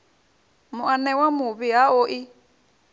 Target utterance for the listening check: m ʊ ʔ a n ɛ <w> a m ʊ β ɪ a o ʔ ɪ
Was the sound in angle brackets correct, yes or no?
yes